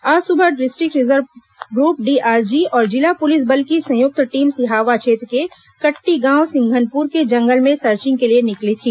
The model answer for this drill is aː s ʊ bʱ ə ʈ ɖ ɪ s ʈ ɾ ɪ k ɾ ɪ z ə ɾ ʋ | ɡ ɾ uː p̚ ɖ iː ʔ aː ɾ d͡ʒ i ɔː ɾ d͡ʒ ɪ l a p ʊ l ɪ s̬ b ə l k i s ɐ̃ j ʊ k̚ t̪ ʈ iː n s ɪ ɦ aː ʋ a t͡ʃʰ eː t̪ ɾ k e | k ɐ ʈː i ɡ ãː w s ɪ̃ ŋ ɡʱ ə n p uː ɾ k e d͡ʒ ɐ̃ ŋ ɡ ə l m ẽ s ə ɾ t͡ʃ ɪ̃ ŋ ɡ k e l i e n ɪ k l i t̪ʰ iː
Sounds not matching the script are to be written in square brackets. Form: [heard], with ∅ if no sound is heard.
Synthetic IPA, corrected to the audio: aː s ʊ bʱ ə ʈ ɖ ɪ s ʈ ɾ ɪ k ɾ ɪ z ə ɾ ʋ | ɡ ɾ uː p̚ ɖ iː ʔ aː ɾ d͡ʒ i ɔː ɾ d͡ʒ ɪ l a p ʊ l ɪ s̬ b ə l k i s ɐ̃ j ʊ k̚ t̪ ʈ iː [m] s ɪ ɦ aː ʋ a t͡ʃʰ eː t̪ ɾ k e | k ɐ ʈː i ɡ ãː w s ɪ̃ ŋ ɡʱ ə n p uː ɾ k e d͡ʒ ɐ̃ ŋ ɡ ə l m ẽ s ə ɾ t͡ʃ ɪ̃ ŋ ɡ k e l i e n ɪ k l i t̪ʰ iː